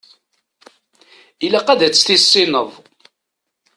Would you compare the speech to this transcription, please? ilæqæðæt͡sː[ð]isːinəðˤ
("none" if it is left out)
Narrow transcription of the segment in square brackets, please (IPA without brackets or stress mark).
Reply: θ